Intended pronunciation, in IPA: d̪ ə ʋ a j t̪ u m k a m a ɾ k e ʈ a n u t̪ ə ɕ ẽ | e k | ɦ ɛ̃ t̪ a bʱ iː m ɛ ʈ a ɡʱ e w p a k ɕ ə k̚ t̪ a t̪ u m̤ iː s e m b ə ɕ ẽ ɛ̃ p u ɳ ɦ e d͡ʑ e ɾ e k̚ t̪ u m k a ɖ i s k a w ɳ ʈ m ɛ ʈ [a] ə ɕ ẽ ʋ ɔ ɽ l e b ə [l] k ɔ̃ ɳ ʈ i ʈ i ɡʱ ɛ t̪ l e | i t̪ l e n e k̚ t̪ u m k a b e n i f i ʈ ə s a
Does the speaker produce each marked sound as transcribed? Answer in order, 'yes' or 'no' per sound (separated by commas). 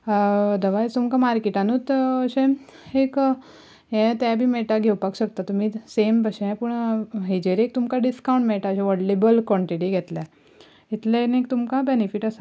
yes, yes